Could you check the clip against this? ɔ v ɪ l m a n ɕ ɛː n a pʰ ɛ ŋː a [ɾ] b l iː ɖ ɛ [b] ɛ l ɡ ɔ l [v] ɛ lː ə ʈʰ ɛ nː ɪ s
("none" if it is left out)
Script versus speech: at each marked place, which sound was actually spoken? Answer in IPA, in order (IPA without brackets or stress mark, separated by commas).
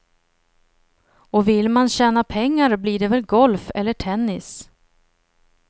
ɾ, v, f